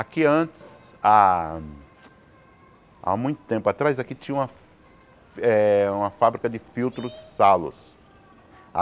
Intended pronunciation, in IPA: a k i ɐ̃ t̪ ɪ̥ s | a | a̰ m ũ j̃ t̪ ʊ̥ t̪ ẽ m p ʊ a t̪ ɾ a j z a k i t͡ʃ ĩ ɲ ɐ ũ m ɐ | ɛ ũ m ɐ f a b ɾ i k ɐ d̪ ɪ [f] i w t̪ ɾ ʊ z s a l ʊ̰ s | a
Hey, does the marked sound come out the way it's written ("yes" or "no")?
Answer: yes